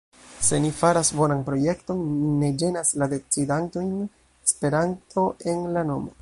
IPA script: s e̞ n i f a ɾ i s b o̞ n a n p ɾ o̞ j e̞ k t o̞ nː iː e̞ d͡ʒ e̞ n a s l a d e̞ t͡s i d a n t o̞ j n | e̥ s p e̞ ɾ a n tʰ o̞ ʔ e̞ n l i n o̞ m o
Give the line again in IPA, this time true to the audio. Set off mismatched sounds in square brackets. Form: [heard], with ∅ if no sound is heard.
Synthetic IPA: s e̞ n i f a ɾ [a] s b o̞ n a n p ɾ o̞ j e̞ k t o̞ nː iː e̞ d͡ʒ e̞ n a s l a d e̞ t͡s i d a n t o̞ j n | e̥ s p e̞ ɾ a n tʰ o̞ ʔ e̞ n l [a] n o̞ m o